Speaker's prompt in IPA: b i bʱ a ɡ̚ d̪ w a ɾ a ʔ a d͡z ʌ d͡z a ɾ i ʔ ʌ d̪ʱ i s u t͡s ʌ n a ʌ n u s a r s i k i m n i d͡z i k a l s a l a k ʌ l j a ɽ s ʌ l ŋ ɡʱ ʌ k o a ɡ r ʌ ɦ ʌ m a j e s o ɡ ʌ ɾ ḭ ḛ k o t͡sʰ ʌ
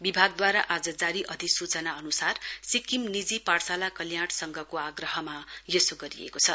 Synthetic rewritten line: b i bʱ a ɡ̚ d̪ w a ɾ a ʔ a d͡z ʌ d͡z a ɾ i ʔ ʌ d̪ʱ i s u t͡s ʌ n a ʌ n u s a r s i k i m n i d͡z i p a r s a l a k ʌ l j a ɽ s ʌ ŋ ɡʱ ʌ k o a ɡ r ʌ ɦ ʌ m a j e s o ɡ ʌ ɾ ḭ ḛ k o t͡sʰ ʌ